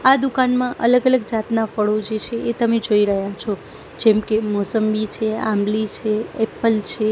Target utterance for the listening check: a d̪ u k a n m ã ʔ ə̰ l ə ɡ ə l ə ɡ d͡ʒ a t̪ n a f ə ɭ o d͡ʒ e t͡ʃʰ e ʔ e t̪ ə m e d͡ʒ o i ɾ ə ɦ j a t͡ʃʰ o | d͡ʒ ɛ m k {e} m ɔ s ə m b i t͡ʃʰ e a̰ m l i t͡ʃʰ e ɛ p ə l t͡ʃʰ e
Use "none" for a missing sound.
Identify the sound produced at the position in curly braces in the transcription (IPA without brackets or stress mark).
e